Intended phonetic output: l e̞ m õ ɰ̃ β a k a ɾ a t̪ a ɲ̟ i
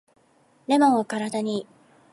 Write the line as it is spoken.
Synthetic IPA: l e̞ m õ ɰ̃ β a k a ɾ a d̪ a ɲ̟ i